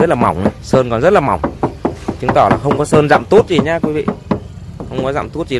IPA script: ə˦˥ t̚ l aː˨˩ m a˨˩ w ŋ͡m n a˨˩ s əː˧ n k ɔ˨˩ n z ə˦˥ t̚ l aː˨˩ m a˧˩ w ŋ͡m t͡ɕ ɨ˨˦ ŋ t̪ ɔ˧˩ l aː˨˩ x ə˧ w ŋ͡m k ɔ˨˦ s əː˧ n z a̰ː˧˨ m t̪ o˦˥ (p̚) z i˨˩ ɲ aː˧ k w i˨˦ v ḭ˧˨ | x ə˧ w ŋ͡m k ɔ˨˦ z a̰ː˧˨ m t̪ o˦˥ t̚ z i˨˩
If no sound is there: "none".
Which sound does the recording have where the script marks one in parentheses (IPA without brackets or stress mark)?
t̚